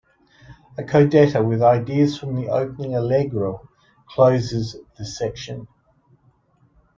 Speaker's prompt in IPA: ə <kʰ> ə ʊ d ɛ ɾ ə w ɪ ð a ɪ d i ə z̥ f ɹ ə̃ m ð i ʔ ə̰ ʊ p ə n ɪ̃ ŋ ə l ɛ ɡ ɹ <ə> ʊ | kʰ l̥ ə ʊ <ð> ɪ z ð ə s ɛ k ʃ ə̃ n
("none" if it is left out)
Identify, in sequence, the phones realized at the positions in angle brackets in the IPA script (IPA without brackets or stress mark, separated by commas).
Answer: kʰ, ə, z